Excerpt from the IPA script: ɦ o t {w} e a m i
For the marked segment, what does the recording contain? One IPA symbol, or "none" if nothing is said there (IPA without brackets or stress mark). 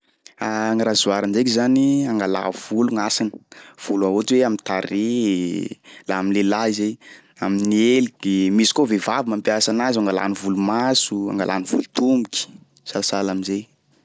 w